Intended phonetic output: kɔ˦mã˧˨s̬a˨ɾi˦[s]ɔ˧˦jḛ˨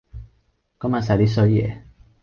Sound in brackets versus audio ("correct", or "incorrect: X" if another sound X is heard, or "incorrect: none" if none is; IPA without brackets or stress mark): correct